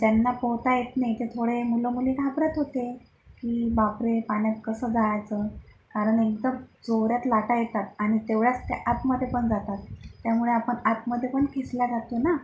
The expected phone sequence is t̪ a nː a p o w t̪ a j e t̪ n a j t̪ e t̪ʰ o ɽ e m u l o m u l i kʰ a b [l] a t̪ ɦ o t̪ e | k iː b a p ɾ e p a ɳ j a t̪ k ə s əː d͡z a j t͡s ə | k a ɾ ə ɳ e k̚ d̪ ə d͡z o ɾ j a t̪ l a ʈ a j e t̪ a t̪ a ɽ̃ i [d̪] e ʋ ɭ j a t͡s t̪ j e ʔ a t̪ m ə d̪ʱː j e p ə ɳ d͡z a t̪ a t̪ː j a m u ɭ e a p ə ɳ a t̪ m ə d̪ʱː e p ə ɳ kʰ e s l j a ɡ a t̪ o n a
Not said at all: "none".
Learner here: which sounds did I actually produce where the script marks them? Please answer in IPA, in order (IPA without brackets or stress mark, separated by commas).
ɾ, t̪